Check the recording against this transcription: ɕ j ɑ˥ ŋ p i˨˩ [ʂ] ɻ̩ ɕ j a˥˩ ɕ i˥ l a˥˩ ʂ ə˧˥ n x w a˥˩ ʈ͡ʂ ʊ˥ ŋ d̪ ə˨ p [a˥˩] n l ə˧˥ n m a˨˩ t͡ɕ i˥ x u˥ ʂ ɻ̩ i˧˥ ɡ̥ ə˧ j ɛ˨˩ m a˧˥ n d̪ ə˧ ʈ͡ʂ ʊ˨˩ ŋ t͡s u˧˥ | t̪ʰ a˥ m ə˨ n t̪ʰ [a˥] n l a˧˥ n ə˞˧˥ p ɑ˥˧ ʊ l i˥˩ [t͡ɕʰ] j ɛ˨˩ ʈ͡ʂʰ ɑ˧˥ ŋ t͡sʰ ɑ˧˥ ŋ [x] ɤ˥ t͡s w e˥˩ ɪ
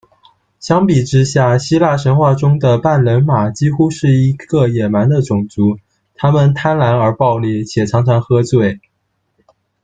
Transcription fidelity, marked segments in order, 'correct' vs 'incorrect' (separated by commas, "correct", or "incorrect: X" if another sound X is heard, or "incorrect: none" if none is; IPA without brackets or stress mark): incorrect: ʈ͡ʂ, correct, correct, correct, correct